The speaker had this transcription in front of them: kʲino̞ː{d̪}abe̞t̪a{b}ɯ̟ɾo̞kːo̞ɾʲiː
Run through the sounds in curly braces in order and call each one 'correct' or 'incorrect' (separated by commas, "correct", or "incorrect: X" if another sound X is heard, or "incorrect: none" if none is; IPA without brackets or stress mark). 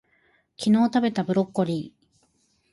incorrect: t̪, correct